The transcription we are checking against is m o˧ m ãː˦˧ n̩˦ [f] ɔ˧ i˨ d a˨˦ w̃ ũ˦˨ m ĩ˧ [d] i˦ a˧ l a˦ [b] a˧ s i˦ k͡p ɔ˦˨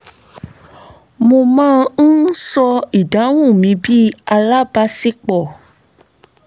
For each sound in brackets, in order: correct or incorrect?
incorrect: s, incorrect: b, correct

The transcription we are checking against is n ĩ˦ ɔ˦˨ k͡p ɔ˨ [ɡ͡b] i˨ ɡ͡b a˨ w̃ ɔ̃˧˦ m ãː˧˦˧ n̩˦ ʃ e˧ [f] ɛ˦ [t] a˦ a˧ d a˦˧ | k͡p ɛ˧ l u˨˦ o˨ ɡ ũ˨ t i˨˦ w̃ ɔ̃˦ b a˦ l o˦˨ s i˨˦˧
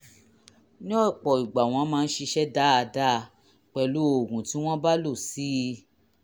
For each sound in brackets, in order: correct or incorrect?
incorrect: none, incorrect: ʃ, incorrect: d

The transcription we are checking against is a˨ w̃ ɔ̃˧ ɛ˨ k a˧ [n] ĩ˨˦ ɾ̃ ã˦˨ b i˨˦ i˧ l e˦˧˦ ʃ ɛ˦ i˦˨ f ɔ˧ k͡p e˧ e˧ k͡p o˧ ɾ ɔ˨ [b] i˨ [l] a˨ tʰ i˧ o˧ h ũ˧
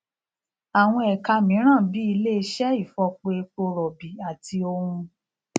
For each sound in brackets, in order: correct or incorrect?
incorrect: m, correct, incorrect: none

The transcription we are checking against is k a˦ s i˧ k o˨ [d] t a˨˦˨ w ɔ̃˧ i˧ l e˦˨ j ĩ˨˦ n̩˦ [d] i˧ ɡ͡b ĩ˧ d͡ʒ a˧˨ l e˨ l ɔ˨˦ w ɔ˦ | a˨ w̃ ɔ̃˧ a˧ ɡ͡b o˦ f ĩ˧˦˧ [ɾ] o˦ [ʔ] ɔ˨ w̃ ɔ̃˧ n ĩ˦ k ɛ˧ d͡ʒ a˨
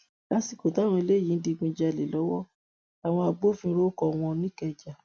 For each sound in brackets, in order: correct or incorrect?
incorrect: none, correct, correct, incorrect: k

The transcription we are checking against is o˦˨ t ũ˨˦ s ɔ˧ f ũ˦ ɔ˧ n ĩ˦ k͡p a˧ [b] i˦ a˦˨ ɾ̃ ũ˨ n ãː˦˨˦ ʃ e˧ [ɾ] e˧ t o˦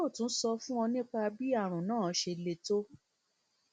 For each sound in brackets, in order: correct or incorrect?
correct, incorrect: l

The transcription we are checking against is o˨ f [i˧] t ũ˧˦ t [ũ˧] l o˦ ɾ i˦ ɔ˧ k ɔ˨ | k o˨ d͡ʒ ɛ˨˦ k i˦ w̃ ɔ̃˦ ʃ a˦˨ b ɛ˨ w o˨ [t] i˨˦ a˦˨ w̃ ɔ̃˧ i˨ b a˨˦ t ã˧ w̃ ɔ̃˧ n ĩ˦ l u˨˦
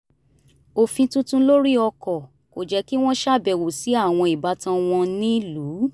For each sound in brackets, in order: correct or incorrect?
incorrect: ĩ˧, correct, incorrect: s

